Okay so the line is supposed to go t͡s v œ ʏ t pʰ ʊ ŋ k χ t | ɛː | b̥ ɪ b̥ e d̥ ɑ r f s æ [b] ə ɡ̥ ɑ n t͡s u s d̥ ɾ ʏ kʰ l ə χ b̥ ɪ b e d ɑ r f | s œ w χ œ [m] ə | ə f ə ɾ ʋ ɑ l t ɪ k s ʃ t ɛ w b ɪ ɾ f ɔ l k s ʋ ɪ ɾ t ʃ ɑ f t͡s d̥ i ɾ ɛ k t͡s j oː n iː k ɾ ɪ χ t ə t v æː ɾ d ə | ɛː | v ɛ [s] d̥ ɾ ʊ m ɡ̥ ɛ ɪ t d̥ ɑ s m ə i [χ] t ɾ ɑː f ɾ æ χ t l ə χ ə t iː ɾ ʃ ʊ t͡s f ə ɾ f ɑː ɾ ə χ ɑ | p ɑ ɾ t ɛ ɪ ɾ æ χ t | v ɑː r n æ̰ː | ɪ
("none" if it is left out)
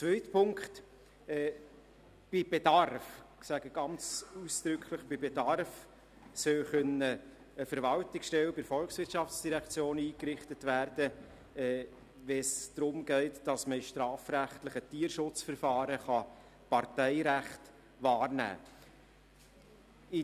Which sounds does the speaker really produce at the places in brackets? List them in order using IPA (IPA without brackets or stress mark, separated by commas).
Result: ɡ, n, s, ʃ